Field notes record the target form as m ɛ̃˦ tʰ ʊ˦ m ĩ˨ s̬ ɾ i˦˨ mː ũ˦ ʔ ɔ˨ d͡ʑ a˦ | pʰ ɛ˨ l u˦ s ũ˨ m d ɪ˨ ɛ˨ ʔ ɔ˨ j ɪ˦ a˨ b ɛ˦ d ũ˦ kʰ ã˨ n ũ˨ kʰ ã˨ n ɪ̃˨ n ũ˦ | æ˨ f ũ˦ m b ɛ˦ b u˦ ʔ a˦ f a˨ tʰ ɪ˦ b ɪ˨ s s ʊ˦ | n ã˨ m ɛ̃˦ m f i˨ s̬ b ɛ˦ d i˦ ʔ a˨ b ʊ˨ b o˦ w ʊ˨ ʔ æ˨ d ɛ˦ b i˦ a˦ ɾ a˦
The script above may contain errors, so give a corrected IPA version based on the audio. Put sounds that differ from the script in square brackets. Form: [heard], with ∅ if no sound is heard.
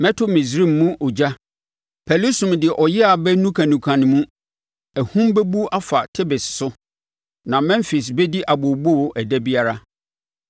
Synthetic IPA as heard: m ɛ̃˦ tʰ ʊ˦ m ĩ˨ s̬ ɾ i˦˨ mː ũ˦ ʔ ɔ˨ d͡ʑ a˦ | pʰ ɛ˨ l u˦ s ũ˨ m d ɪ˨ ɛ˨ ʔ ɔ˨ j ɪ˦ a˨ b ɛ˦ [n] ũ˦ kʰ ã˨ n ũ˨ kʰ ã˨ n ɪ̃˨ [m] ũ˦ | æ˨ [h] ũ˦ m b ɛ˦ b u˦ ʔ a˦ f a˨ tʰ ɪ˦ b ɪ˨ s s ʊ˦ | n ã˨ m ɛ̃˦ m f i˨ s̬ b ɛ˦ d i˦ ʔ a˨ b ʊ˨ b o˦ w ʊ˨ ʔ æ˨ d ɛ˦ b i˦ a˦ ɾ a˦